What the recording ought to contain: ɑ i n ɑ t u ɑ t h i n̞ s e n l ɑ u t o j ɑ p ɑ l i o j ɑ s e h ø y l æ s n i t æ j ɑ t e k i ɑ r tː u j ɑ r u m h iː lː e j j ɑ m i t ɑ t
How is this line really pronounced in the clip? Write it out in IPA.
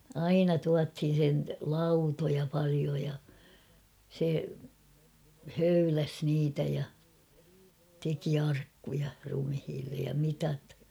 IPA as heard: ɑ i n ɑ t u ɑ t h i n̞ s e n l ɑ u t o j ɑ p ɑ l i o j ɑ s e h ø y l æ s n iː t æ j ɑ t e k i ɑ r kː u j ɑ r u m h iː lː e j j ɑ m i t ɑ t